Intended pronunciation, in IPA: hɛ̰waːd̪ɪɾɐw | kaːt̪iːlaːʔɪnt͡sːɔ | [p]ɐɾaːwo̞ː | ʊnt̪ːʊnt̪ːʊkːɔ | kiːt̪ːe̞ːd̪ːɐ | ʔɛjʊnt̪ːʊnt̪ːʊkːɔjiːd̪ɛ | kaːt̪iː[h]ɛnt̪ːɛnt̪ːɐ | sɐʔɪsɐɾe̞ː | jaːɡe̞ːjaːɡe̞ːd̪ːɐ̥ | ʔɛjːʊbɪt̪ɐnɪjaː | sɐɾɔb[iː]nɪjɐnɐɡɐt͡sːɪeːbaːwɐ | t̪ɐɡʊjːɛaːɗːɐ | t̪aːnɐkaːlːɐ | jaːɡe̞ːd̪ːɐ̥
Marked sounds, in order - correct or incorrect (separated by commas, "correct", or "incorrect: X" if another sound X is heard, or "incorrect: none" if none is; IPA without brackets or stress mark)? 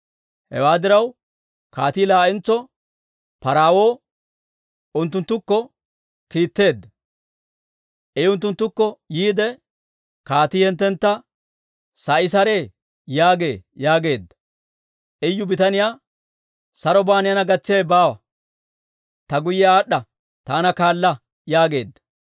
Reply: correct, correct, incorrect: aː